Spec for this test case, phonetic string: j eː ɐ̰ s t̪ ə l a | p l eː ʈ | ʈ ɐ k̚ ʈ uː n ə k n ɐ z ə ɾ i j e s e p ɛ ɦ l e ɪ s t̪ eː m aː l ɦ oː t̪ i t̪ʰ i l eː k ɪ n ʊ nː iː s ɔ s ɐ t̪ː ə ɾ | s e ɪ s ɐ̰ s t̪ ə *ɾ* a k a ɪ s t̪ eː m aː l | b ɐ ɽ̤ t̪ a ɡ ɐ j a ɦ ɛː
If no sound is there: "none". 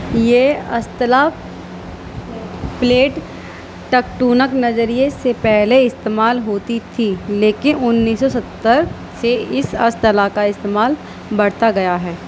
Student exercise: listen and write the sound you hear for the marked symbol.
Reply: l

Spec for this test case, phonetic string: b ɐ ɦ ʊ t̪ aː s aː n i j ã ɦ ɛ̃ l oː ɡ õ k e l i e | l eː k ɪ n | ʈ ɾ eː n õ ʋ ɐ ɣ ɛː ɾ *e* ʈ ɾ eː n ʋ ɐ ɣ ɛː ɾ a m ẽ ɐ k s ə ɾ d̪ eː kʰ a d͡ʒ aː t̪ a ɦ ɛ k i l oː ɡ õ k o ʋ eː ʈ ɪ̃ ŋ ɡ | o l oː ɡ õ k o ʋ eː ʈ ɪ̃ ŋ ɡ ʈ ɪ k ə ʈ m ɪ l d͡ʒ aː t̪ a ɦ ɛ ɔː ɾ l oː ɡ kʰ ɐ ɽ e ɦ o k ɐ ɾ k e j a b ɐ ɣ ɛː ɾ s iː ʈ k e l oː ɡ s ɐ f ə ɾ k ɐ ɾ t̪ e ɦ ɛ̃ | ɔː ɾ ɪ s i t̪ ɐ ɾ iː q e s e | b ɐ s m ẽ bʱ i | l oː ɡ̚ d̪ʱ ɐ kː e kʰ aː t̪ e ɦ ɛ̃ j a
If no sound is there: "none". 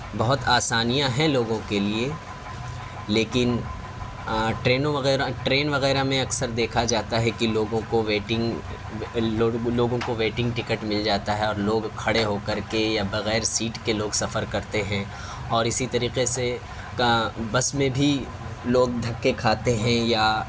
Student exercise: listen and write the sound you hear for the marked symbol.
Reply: a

